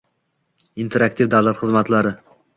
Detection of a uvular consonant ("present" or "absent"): present